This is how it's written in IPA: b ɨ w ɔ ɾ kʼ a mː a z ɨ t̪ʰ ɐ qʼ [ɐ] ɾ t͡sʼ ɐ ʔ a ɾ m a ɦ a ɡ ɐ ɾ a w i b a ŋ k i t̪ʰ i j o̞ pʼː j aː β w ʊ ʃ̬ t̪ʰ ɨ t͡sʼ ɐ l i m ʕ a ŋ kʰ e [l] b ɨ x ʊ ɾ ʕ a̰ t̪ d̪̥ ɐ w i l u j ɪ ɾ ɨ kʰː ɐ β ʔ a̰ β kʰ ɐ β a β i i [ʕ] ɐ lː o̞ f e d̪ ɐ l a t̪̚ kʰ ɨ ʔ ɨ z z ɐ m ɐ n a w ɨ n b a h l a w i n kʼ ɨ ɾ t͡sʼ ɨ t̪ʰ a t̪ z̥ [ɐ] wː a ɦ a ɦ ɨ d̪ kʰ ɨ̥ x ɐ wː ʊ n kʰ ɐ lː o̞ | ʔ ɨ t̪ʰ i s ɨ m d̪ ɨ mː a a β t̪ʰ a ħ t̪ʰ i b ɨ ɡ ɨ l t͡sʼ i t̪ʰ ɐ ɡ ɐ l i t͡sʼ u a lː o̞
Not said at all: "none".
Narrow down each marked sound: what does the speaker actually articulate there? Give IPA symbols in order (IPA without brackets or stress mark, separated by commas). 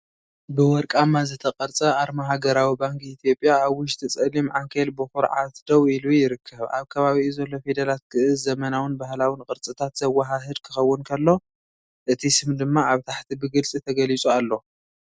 ɐ, l, z, ɐ